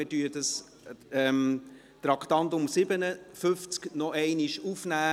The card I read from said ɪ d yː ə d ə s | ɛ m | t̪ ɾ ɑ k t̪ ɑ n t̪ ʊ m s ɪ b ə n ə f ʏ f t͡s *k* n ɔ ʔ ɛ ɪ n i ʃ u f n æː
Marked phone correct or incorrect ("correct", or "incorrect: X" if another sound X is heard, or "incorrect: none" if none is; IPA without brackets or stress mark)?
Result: correct